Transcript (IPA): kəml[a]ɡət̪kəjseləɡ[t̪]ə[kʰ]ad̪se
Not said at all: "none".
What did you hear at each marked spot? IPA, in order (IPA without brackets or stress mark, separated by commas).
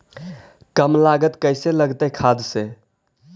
a, t̪, kʰ